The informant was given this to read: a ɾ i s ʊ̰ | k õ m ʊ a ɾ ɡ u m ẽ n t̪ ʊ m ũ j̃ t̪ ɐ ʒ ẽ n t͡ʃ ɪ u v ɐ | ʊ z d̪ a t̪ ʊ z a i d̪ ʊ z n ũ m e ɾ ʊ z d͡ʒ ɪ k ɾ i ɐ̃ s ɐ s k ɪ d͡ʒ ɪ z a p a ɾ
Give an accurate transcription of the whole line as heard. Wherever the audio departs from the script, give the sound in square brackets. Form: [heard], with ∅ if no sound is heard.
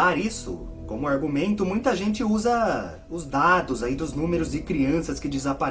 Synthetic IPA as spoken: a ɾ i s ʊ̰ | k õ m ʊ a ɾ ɡ u m ẽ n t̪ ʊ m ũ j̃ t̪ ɐ ʒ ẽ n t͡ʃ ɪ u [z] ɐ | ʊ z d̪ a [d̪] ʊ z a i d̪ ʊ z n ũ m e ɾ ʊ z d͡ʒ ɪ k ɾ i ɐ̃ s ɐ s k ɪ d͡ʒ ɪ z a p a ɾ

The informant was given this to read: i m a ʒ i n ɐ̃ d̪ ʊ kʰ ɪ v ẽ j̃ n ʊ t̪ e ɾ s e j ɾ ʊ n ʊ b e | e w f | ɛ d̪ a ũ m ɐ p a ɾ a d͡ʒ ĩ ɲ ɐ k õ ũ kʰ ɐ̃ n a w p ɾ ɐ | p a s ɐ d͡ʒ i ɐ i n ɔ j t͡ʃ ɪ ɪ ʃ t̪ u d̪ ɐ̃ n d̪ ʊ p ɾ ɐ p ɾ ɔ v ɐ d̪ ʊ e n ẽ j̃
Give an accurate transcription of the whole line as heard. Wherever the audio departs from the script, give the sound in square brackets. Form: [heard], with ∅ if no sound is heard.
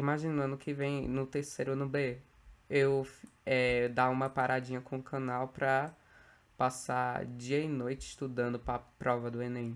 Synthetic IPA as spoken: i m a ʒ i n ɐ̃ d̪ ʊ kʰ ɪ v ẽ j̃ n ʊ t̪ e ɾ s e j ɾ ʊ n ʊ b e | e w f | ɛ d̪ a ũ m ɐ p a ɾ a d͡ʒ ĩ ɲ ɐ k õ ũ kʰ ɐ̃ n a w p ɾ ɐ | p a s [a] d͡ʒ i ɐ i n [o] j t͡ʃ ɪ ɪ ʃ t̪ u d̪ ɐ̃ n d̪ ʊ p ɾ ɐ p ɾ ɔ v ɐ d̪ ʊ e n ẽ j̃

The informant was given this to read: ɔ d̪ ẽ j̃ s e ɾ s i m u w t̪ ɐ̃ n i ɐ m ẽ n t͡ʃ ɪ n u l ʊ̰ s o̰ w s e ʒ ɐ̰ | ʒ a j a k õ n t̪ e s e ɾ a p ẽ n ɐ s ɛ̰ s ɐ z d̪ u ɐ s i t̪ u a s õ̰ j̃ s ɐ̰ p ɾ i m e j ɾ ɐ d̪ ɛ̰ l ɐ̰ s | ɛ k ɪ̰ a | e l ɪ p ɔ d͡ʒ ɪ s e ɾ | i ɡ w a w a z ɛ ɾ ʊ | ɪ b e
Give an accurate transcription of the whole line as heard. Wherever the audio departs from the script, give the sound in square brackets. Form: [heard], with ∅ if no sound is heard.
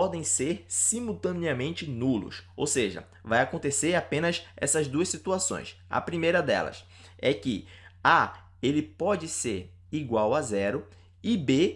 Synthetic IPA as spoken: ɔ d̪ ẽ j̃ s e ɾ s i m u w t̪ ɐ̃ n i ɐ m ẽ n t͡ʃ ɪ n u l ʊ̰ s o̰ w s e ʒ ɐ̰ | [v] a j a k õ n t̪ e s e ɾ a p ẽ n ɐ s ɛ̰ s ɐ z d̪ u ɐ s i t̪ u a s õ̰ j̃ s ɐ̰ p ɾ i m e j ɾ ɐ d̪ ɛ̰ l ɐ̰ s | ɛ k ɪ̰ a | e l ɪ p ɔ d͡ʒ ɪ s e ɾ | i ɡ w a w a z ɛ ɾ ʊ | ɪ b e

